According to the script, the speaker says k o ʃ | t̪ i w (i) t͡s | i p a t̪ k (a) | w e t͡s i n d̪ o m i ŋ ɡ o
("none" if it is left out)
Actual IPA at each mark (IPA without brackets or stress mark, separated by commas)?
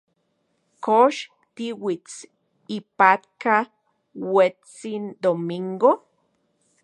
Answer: i, a